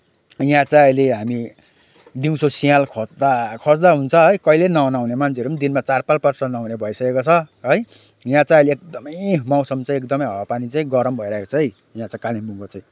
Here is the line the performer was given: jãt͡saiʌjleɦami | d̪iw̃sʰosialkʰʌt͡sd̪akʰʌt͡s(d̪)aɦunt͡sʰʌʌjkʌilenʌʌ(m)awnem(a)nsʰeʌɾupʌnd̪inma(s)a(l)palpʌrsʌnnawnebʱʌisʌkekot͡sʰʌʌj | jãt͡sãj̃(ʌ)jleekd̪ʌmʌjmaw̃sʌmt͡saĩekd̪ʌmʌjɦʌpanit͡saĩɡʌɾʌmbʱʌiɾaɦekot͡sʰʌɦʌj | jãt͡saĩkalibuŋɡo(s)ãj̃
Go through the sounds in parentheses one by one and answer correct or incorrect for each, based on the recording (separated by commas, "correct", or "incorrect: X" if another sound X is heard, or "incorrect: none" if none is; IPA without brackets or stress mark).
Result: correct, incorrect: n, correct, incorrect: t͡s, incorrect: r, correct, incorrect: t͡s